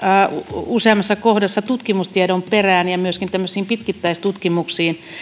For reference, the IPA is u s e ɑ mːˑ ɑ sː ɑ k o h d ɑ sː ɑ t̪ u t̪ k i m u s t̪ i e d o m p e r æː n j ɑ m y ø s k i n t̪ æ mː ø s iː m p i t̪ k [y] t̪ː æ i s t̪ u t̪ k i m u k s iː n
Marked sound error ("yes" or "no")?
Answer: yes